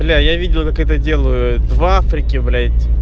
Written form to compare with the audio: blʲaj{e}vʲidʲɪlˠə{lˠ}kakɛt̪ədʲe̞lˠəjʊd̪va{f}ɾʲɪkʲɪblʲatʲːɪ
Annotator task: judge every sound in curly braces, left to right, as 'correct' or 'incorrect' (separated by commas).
incorrect, incorrect, correct